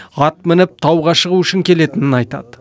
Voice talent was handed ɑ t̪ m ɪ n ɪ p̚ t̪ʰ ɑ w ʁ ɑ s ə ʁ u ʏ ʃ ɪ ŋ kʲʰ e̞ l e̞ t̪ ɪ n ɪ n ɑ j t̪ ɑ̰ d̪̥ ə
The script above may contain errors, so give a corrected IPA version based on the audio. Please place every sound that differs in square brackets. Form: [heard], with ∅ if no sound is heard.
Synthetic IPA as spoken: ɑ t̪ m ɪ n ɪ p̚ t̪ʰ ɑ w ʁ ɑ [ʃ] ə ʁ u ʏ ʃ ɪ ŋ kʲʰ e̞ l e̞ t̪ ɪ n ɪ n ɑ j t̪ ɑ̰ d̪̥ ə